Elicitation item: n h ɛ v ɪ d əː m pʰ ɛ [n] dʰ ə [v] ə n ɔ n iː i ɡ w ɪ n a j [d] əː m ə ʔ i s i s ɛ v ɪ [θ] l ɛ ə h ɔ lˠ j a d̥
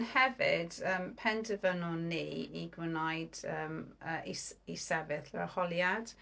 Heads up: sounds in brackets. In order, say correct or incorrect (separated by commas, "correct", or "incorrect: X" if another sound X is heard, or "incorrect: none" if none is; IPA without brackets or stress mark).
correct, correct, correct, correct